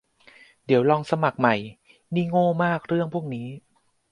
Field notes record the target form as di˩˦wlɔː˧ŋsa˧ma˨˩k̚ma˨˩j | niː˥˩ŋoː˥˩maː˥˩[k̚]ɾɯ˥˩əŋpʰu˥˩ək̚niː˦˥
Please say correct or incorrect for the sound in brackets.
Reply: correct